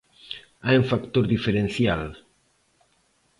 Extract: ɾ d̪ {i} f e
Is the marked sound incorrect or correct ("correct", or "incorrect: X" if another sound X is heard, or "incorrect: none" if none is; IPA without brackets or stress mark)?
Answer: correct